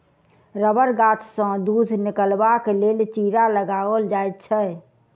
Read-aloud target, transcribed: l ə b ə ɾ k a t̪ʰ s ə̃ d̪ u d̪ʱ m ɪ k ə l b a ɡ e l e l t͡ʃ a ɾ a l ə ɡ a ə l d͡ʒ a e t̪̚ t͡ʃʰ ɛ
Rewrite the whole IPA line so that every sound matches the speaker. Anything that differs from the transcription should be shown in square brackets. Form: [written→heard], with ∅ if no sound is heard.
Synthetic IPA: [l→ɾ] ə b ə ɾ [k→ɡ] a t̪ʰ s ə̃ d̪ u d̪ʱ [m→n] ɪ k ə l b a [ɡ→k] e l e l t͡ʃ [a→i] ɾ a l ə ɡ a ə l d͡ʒ a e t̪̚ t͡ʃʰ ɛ